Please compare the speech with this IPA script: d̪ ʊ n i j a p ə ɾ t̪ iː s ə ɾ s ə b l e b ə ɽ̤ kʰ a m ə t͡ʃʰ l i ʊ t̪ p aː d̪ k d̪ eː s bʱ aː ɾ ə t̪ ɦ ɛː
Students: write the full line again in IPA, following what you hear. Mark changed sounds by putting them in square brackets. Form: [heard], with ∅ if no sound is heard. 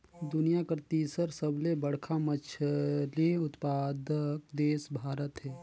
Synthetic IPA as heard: d̪ ʊ n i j a [k] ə ɾ t̪ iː s ə ɾ s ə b l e b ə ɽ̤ kʰ a m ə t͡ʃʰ l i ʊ t̪ p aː d̪ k d̪ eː s bʱ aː ɾ ə t̪ ɦ ɛː